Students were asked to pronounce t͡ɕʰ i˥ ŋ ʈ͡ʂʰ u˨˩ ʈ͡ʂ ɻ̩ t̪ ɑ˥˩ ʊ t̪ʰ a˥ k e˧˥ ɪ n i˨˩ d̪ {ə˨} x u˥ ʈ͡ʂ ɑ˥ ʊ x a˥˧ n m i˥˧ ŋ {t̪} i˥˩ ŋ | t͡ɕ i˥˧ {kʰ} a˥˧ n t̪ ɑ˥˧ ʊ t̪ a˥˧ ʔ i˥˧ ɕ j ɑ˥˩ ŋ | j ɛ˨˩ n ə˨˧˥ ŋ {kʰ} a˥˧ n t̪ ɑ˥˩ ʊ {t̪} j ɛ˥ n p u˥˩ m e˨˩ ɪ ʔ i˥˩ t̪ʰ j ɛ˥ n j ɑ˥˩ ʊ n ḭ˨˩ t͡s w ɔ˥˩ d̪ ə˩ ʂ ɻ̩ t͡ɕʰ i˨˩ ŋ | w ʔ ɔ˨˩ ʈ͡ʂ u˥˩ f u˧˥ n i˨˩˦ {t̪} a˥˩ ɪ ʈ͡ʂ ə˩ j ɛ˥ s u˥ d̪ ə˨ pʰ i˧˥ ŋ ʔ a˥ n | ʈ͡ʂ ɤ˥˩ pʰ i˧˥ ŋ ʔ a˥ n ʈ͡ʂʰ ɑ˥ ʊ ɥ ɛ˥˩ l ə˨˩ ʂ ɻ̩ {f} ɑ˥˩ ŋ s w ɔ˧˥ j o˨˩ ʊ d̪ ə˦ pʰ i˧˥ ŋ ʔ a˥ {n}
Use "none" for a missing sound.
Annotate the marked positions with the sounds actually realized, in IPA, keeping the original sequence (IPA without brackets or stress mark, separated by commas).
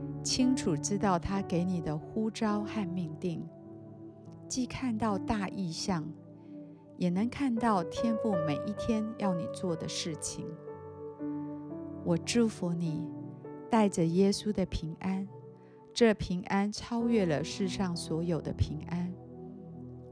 ə˦, t̪, kʰ, kʰ, t̪ʰ, t̪, ʂ, n